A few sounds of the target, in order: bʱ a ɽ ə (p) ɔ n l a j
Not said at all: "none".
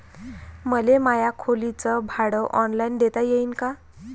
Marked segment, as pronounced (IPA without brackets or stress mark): ʔ